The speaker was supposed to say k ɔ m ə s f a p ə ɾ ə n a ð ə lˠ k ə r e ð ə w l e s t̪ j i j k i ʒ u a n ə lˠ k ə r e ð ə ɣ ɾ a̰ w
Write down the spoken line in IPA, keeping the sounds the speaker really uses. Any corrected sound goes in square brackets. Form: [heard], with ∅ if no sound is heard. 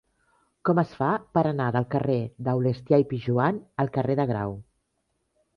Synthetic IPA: k ɔ m ə s f a p ə ɾ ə n a ð ə lˠ k ə r e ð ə w l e s t̪ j [a] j [p] i ʒ u a n ə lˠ k ə r e ð ə ɣ ɾ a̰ w